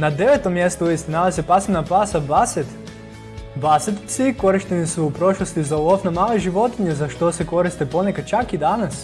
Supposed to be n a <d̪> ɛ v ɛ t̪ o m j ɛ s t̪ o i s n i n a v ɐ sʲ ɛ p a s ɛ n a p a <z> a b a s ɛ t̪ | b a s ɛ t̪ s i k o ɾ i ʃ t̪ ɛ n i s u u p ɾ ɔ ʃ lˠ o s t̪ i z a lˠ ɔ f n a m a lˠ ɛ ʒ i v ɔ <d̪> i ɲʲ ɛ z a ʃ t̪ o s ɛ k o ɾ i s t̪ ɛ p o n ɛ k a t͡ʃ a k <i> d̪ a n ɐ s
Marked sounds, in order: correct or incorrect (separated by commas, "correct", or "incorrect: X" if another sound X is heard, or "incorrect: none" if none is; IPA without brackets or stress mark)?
correct, incorrect: s, incorrect: t̪, correct